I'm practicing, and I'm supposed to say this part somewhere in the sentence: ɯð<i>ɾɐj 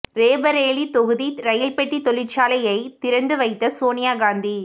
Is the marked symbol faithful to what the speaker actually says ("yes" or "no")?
yes